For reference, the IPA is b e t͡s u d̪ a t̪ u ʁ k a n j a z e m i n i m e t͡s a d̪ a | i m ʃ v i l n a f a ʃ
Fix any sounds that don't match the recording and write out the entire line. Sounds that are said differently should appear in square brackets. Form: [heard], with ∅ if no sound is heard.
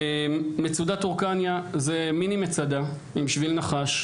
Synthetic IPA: [m] e t͡s u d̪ a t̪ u ʁ k a n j a z e m i n i m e t͡s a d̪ a | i m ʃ v i l n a [χ] a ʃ